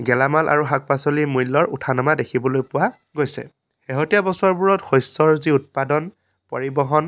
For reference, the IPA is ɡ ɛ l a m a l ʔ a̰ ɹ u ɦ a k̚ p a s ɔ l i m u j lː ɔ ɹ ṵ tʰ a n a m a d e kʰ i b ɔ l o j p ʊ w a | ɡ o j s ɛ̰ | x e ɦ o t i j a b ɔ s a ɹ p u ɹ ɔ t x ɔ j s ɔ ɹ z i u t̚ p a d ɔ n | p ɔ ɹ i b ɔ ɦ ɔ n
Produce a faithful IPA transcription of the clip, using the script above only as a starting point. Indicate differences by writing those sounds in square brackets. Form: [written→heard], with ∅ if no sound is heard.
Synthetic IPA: ɡ ɛ l a m a l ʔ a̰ ɹ u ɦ a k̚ p a s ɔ l i m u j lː ɔ ɹ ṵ tʰ a n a m a d e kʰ i b ɔ l o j p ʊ w a | ɡ o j s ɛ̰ | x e ɦ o t i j a b ɔ s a ɹ [p→b] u ɹ ɔ t x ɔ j s ɔ ɹ z i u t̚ p a d ɔ n | p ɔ ɹ i b ɔ ɦ ɔ n

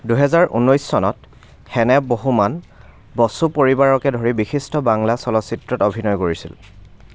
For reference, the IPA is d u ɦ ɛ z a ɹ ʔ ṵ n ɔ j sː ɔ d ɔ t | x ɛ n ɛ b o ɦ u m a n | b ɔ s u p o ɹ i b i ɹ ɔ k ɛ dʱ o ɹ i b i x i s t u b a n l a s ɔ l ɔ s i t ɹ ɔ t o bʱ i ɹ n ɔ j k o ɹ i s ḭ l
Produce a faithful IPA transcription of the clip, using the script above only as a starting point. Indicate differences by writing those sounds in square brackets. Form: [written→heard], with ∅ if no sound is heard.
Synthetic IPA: d u ɦ ɛ z a ɹ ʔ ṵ n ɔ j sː ɔ [d→n] ɔ t | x ɛ n ɛ b o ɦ u m a n | b ɔ s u p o ɹ i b [i→a] ɹ ɔ k ɛ dʱ o ɹ i b i x i s t [u→ɔ] b a [n→ŋ] l a s ɔ l ɔ s i t ɹ ɔ t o bʱ i [ɹ→∅] n ɔ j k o ɹ i s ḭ l

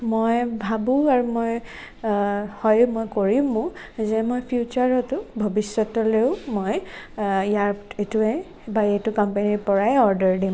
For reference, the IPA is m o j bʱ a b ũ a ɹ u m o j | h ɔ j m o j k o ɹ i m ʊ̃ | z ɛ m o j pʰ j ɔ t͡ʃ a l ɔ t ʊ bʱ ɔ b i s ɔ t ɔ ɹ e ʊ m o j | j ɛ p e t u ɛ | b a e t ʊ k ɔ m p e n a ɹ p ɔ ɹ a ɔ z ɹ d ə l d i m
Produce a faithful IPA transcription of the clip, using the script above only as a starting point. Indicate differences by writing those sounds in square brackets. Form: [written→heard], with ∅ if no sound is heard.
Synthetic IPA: m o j bʱ a b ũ a ɹ u m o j | h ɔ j m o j k o ɹ i m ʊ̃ | z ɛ m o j pʰ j [ɔ→u] t͡ʃ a [l→ɹ] ɔ t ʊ bʱ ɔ b i s ɔ t ɔ [ɹ→l] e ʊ m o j | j [ɛ→a] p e t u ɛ | b a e t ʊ k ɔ m p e n [a→i] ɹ p ɔ ɹ a ɔ [z→∅] ɹ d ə [l→ɹ] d i m

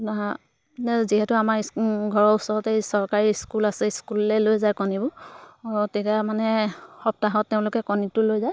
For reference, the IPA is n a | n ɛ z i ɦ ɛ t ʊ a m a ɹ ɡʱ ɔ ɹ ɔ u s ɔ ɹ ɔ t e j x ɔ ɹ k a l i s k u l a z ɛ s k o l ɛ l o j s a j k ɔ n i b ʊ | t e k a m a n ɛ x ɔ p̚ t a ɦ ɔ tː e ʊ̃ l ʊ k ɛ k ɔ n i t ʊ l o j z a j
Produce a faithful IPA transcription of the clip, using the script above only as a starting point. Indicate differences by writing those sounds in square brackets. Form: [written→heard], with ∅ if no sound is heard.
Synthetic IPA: n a | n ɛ z i ɦ ɛ t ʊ a m a ɹ ɡʱ ɔ ɹ ɔ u s ɔ ɹ ɔ t e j [x→s] ɔ ɹ k a [l→ɹ] i s k u l a [z→s] ɛ s k [o→u] l ɛ l o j [s→z] a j k ɔ n i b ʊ | t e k a m a n ɛ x ɔ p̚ t a ɦ ɔ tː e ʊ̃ l ʊ k ɛ k ɔ n i t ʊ l o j z a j

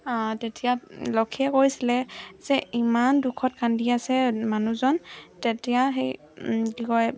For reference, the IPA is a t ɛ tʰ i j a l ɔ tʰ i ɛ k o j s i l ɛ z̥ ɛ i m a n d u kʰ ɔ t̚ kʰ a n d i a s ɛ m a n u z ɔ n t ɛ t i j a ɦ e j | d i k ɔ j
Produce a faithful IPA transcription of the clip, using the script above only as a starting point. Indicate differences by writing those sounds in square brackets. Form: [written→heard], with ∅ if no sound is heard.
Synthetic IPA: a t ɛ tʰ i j a l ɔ [tʰ→kʰ] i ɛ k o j s i l ɛ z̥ ɛ i m a n d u kʰ ɔ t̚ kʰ a n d i a s ɛ m a n u z ɔ n t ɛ t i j a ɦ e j | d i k ɔ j

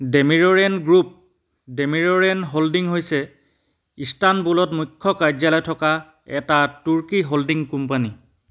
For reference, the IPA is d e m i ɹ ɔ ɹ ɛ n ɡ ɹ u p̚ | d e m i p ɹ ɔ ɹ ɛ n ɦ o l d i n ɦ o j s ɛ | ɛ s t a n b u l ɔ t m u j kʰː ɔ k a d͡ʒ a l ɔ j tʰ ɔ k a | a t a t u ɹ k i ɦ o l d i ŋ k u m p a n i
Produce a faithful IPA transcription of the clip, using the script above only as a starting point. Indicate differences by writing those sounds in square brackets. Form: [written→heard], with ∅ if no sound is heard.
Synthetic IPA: d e m i ɹ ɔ ɹ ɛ n ɡ ɹ u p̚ | d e m i [p→∅] ɹ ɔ ɹ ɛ n ɦ o l d i [n→ŋ] ɦ o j s ɛ | [ɛ→i] s t a n b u l ɔ t m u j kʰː ɔ k a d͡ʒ a l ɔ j tʰ ɔ k a | [a→ɛ] t a t u ɹ k i ɦ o l d i ŋ k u m p a n i

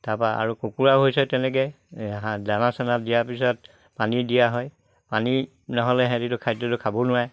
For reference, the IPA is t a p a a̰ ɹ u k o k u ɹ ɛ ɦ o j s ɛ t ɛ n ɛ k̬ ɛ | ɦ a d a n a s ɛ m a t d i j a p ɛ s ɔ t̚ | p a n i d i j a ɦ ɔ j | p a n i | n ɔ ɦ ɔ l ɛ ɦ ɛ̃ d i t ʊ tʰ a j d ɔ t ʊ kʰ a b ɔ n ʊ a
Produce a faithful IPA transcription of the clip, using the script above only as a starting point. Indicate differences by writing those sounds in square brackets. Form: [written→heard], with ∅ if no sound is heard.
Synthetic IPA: t a p a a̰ ɹ u k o k u ɹ [ɛ→a] ɦ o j s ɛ t ɛ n ɛ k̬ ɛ | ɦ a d a n a s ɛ [m→n] a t d i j a p [ɛ→i] s ɔ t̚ | p a n i d i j a ɦ ɔ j | p a n i | n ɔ ɦ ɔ l ɛ ɦ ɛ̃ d i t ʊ [tʰ→kʰ] a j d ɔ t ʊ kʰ a b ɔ n ʊ a

